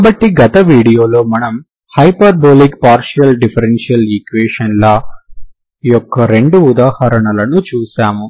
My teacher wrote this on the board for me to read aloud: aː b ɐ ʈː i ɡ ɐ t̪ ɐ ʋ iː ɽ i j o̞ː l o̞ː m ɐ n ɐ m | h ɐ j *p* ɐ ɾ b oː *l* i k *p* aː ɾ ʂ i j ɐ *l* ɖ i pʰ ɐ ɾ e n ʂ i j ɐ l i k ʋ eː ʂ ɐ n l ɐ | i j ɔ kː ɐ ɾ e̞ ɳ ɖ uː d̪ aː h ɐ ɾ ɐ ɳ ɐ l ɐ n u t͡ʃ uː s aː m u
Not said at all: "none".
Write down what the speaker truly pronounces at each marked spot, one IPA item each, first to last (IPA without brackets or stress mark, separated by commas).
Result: p, l, p, l